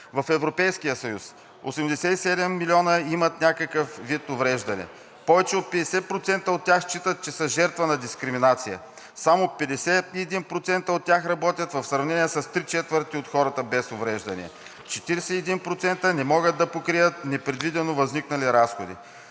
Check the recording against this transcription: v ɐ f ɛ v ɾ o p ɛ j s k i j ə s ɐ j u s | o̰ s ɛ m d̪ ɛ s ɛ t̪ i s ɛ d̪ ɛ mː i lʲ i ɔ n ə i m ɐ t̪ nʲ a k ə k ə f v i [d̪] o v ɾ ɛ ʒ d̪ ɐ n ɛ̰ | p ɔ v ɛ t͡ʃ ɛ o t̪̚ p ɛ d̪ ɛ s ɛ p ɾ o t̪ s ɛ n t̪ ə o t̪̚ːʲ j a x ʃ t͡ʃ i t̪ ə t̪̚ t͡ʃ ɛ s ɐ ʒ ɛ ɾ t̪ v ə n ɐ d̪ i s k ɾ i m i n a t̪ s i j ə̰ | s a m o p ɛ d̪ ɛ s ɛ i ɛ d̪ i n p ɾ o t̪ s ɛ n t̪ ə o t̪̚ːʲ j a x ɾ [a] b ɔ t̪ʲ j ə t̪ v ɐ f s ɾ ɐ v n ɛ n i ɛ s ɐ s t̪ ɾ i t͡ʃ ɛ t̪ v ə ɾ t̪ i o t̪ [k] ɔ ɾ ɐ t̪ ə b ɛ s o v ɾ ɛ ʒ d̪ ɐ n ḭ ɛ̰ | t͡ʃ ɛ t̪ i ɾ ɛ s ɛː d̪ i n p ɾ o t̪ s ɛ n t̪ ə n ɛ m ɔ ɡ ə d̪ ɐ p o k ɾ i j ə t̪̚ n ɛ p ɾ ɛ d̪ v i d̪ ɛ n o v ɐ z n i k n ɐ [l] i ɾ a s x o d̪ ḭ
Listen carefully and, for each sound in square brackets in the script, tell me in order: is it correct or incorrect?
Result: incorrect, incorrect, incorrect, correct

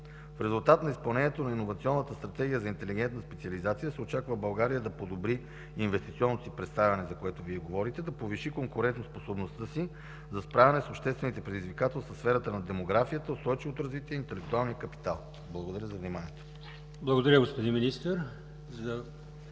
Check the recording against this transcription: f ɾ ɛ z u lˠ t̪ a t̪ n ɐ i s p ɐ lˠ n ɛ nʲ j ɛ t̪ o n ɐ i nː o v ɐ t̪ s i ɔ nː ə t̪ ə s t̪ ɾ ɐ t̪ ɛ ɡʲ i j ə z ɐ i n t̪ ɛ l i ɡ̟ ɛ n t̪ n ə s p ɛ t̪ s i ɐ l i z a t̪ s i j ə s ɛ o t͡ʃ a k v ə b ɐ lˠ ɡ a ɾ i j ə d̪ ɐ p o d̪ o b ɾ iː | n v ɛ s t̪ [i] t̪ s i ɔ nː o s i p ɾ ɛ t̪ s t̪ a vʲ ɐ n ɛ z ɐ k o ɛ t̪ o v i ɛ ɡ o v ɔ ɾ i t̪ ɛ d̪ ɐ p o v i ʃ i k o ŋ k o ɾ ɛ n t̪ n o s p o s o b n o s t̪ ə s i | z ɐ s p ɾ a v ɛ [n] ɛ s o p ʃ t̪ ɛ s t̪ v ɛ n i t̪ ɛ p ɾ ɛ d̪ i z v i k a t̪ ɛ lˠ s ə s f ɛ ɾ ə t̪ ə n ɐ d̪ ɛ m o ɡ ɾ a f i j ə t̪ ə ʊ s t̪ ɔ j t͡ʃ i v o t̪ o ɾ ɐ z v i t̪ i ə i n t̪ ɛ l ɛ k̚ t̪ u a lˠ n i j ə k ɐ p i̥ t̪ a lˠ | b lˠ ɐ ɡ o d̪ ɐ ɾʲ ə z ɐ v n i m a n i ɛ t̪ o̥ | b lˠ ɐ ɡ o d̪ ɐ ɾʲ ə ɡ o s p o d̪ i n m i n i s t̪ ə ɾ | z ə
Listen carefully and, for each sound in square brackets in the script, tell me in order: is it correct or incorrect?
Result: correct, correct

